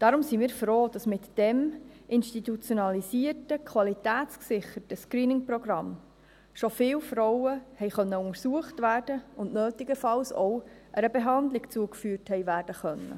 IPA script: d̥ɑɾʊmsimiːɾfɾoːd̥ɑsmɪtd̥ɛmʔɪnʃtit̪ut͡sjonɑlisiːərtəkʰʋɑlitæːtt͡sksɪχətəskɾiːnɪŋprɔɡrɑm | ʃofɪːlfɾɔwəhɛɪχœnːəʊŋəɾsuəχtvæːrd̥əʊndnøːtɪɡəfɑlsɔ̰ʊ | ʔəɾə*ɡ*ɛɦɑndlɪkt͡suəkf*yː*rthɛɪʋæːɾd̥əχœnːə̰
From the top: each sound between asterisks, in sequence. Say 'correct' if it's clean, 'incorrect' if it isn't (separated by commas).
incorrect, correct